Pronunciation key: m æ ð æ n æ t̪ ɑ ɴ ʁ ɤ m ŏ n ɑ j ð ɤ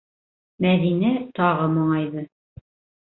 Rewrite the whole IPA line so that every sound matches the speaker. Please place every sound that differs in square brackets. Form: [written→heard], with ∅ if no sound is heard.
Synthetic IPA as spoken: m æ ð [æ→i] n æ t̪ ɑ [ɴ→∅] ʁ ɤ m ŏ [n→ɴ] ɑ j ð ɤ